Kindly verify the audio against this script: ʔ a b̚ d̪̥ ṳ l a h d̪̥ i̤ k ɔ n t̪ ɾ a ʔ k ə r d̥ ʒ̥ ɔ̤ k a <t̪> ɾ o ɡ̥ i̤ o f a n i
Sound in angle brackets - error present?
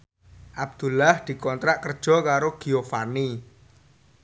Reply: yes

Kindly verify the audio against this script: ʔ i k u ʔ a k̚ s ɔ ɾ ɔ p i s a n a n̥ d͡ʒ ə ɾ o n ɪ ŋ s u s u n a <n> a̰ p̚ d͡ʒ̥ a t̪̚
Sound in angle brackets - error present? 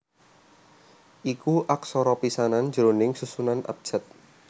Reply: no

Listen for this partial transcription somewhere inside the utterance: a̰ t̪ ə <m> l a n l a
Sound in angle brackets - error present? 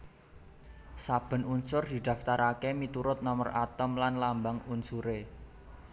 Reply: no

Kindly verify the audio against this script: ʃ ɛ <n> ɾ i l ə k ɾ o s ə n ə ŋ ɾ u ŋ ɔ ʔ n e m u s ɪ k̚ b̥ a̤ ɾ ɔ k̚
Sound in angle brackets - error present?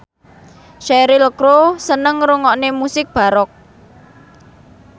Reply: yes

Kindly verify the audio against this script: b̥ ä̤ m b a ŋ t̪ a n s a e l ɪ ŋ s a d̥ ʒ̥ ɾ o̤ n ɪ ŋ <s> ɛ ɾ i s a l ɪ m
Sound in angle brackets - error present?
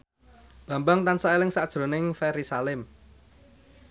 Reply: yes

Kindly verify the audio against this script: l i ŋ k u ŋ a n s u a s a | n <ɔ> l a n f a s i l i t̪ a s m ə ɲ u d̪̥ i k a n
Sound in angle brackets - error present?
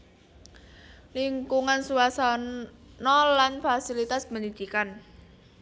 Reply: no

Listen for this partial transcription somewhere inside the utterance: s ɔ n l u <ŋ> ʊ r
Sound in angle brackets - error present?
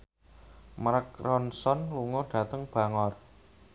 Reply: no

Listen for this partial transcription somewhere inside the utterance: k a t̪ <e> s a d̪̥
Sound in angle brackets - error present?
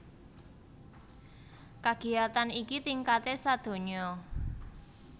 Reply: no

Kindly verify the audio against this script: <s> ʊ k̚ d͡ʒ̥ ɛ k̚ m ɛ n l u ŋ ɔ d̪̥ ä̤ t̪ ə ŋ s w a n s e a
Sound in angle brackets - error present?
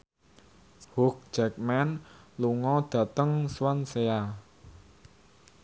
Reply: yes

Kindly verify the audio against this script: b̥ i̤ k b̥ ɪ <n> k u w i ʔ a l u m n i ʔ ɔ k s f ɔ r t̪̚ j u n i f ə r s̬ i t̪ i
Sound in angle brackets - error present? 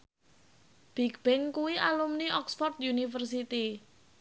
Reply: yes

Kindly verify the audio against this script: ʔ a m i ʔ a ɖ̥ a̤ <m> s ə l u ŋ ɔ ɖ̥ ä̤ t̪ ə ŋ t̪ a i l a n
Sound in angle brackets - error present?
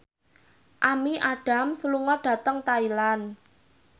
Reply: no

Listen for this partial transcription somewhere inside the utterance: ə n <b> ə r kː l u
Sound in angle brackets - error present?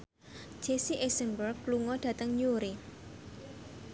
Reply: no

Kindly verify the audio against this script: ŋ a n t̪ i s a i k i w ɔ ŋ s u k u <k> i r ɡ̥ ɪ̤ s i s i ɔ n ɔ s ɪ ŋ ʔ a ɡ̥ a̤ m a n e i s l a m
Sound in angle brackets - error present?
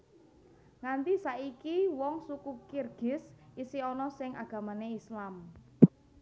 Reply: no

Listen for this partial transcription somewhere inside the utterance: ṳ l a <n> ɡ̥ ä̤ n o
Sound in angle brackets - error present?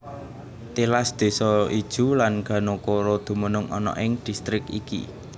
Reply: no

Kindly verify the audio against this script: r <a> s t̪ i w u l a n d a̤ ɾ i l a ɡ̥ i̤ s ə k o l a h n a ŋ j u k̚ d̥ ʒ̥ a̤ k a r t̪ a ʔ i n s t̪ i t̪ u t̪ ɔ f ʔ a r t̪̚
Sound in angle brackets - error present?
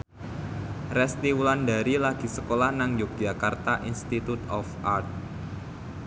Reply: yes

